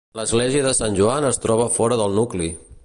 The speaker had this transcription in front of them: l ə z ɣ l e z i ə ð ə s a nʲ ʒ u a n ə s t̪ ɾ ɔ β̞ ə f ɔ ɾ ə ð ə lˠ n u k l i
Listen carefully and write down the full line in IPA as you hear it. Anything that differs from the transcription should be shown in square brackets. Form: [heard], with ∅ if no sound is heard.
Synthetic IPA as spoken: l ə z ɣ l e z i ə ð ə s a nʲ ʒ u a n ə s t̪ ɾ ɔ β̞ ə f ɔ ɾ ə ð ə lˠ n u k l i